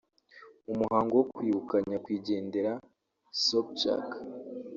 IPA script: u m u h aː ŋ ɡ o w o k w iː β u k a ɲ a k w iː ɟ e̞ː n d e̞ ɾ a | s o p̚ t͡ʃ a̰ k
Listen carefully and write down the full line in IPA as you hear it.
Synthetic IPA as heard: u m u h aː ŋ ɡ o w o k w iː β u k a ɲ a k w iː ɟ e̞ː n d e̞ ɾ a | s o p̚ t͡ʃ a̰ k